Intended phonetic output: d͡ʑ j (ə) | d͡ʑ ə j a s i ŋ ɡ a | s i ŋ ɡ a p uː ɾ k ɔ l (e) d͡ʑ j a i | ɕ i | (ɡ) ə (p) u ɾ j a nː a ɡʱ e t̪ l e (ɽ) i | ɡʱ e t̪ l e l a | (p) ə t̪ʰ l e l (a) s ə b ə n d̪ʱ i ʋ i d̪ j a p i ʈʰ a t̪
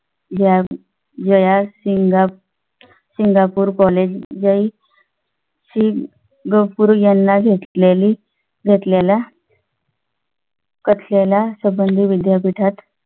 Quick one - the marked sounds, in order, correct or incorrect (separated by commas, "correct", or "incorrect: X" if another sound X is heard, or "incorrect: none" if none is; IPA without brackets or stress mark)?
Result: incorrect: a, correct, correct, correct, incorrect: l, incorrect: k, correct